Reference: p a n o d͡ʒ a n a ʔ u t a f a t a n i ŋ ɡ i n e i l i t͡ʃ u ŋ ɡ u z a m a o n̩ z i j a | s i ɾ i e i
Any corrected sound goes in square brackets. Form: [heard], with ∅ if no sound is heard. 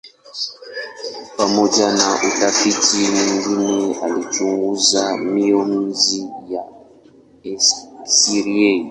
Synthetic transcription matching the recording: p a [m] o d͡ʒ a n a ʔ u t a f [i] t [i] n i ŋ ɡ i n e [a] l i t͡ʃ u ŋ ɡ u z a m [i] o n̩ z i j a | s i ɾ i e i